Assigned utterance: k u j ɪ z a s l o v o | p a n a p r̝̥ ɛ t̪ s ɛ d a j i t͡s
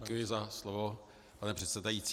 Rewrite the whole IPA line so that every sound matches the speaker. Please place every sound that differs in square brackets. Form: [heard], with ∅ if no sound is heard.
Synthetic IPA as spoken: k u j ɪ z a s l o v o | p a n [ɛ] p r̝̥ ɛ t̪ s ɛ d a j i t͡s